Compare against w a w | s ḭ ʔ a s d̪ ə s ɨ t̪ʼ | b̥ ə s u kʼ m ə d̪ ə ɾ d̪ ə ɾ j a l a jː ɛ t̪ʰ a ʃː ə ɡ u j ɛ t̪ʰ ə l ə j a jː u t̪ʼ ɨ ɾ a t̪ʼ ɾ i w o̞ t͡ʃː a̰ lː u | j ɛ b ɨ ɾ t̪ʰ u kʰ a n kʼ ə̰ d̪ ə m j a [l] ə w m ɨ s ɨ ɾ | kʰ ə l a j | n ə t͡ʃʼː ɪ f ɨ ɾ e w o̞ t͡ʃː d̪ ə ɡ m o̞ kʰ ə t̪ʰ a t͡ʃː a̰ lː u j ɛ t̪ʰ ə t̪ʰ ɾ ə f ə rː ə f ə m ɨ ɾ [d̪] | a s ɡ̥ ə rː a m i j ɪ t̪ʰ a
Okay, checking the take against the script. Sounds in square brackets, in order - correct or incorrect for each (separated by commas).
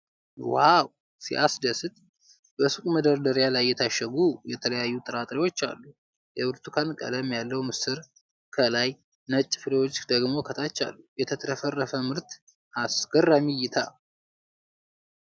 incorrect, incorrect